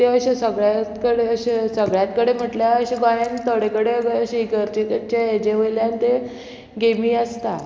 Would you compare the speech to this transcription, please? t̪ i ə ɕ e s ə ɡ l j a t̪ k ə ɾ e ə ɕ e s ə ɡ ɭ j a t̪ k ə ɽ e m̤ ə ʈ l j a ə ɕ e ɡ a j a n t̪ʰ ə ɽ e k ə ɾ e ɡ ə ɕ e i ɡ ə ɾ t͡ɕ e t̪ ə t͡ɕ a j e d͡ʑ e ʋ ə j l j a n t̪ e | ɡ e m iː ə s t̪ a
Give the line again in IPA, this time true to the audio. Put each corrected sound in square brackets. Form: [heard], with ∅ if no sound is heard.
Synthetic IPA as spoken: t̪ [e] ə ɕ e s ə ɡ [ɭ] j a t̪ k ə [ɽ] e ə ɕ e s ə ɡ ɭ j a t̪ k ə ɽ e m̤ ə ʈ l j a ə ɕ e ɡ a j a n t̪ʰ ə ɽ e k ə [ɽ] e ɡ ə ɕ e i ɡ ə ɾ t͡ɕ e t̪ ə t͡ɕ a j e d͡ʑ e ʋ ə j l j a n t̪ e | ɡ e m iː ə s t̪ a